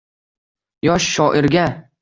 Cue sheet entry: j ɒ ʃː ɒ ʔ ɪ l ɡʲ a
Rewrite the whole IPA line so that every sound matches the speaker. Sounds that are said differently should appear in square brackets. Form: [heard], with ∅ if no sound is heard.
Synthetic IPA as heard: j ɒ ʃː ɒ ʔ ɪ [ɾ] ɡʲ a